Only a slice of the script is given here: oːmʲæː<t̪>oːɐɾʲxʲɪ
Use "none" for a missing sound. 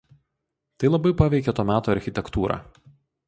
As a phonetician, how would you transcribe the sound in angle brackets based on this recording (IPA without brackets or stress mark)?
t̪